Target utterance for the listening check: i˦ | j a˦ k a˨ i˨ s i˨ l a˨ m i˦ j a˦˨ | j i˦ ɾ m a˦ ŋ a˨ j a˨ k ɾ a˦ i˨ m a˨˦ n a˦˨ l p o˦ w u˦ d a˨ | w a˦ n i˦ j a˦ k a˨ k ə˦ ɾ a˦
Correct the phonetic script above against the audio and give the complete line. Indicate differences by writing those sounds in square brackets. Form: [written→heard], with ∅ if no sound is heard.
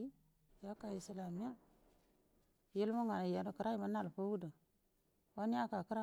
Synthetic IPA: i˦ | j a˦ k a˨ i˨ s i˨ l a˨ m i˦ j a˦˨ | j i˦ [ɾ→l] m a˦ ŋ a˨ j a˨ k ɾ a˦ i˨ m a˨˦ n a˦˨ l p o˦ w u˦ d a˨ | w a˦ n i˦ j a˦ k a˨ k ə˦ ɾ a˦